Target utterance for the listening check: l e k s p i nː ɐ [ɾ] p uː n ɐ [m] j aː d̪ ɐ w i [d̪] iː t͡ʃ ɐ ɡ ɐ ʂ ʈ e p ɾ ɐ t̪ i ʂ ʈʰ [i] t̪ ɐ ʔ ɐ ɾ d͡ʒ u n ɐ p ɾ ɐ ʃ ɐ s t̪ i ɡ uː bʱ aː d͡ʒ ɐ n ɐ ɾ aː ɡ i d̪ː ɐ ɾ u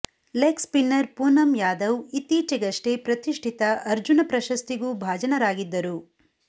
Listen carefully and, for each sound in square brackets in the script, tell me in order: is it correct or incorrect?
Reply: correct, correct, incorrect, correct

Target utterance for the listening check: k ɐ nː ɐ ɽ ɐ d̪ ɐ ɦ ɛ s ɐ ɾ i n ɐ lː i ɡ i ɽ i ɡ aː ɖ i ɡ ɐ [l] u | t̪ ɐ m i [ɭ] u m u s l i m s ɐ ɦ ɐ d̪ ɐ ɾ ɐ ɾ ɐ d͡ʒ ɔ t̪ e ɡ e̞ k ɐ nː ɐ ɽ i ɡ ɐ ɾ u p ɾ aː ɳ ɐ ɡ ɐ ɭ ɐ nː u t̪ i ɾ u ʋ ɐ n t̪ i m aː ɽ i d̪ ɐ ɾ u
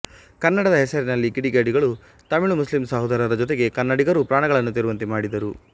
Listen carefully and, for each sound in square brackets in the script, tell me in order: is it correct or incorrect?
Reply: incorrect, correct

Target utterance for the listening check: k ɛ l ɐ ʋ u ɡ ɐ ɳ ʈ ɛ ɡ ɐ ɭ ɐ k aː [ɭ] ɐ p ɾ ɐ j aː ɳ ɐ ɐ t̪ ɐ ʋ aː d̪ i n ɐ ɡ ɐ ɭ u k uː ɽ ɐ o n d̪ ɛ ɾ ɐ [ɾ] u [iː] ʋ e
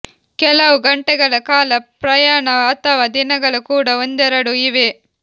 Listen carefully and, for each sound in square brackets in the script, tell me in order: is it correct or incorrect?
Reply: incorrect, incorrect, incorrect

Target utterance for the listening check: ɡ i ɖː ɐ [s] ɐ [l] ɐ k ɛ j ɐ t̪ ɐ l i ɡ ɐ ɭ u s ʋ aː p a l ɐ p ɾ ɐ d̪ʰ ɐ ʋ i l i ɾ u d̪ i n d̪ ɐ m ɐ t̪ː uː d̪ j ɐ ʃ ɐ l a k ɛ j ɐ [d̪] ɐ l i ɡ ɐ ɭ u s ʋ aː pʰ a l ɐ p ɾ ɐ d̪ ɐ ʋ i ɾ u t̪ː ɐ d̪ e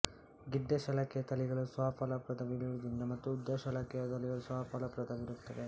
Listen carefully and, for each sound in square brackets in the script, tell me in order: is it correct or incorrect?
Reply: incorrect, correct, incorrect

